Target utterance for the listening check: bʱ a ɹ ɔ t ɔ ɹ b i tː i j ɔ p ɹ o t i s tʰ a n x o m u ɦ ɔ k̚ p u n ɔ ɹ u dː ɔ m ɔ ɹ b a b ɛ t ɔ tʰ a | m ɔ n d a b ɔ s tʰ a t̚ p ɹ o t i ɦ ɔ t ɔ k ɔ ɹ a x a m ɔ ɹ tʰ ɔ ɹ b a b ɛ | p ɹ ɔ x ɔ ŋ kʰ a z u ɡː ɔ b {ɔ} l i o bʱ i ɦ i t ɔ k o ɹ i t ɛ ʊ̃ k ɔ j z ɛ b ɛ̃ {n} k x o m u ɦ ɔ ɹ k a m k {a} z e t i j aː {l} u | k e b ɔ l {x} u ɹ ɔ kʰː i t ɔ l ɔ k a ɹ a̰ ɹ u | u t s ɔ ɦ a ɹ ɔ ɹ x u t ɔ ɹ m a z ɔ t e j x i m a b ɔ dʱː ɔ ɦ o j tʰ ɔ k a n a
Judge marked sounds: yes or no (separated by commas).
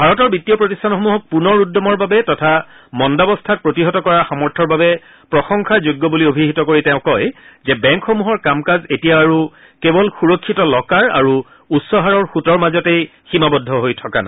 no, no, yes, no, yes